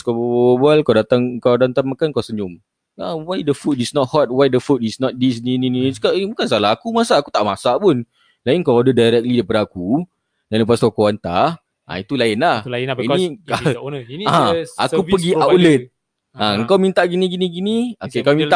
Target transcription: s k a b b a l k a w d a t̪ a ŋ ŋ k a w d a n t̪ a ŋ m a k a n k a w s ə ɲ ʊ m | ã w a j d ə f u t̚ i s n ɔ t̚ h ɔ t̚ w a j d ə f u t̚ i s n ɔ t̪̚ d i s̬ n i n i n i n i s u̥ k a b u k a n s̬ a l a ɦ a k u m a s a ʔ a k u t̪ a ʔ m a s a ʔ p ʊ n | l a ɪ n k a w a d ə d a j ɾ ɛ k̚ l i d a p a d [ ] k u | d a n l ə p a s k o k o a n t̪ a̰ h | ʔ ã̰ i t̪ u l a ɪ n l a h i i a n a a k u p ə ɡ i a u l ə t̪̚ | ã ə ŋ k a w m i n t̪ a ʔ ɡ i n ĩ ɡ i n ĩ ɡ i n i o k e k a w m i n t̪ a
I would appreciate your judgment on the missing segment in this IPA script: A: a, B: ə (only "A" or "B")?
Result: A